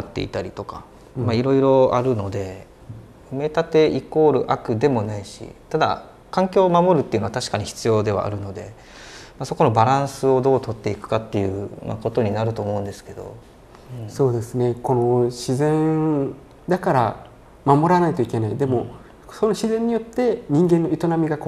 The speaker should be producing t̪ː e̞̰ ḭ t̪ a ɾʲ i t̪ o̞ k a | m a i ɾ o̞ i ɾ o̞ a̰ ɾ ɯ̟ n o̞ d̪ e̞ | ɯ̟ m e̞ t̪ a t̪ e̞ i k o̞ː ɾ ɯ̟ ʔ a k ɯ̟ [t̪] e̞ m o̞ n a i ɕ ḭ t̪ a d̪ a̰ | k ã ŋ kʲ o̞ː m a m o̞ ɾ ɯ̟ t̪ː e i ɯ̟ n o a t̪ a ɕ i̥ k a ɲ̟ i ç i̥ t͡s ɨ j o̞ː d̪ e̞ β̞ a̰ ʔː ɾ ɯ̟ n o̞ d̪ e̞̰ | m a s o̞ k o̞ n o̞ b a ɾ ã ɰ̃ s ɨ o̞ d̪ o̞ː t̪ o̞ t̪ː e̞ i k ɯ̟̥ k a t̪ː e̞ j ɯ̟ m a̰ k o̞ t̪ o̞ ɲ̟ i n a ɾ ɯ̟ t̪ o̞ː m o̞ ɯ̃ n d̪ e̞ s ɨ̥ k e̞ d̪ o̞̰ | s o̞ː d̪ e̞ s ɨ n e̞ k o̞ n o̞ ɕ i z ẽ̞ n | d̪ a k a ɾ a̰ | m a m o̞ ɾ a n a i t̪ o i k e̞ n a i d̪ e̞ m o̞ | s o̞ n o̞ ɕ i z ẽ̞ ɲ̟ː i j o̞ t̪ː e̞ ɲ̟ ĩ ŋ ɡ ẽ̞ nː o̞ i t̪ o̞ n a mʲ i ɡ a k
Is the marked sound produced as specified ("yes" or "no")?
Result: no